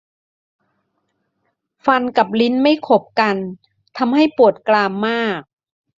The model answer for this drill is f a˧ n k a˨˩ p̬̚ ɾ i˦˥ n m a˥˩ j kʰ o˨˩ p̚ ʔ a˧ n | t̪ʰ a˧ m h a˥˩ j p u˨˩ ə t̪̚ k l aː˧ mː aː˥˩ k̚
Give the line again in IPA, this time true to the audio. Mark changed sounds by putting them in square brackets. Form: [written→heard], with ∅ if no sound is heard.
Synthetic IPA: f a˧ n k a˨˩ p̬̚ [ɾ→l] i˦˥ n m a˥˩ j kʰ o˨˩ p̚ [ʔ→k] a˧ n | t̪ʰ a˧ m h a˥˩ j p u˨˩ ə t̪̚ k l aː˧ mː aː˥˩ k̚